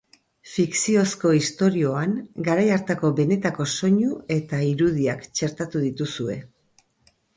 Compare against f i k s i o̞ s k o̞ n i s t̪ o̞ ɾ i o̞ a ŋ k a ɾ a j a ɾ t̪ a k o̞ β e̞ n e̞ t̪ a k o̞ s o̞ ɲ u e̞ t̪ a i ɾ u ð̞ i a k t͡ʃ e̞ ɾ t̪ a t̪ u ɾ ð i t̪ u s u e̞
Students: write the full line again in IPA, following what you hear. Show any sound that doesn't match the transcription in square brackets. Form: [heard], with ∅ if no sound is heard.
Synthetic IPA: f i k s i o̞ s k o̞ [∅] i s t̪ o̞ ɾ i o̞ a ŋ [ɡ] a ɾ a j a ɾ t̪ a k o̞ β e̞ n e̞ t̪ a k o̞ s o̞ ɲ u e̞ t̪ a i ɾ u ð̞ i a k t͡ʃ e̞ ɾ t̪ a t̪ u [∅] ð i t̪ u s u e̞